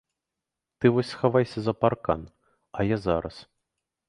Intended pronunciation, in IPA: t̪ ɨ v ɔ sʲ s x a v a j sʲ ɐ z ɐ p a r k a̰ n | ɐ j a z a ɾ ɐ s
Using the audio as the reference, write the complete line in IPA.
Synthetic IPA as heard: t̪ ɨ v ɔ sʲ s x a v a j sʲ ɐ z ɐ p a r k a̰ n | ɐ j a z a ɾ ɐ s